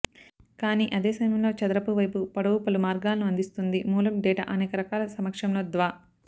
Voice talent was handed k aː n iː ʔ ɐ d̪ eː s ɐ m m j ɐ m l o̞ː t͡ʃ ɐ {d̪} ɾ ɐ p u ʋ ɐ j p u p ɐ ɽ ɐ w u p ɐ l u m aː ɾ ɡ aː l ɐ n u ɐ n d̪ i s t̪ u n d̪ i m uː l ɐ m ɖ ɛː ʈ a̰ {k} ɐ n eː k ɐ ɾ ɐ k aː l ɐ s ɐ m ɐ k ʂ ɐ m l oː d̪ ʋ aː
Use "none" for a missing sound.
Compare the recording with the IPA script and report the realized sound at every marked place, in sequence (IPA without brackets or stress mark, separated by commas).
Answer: d̪, ʔ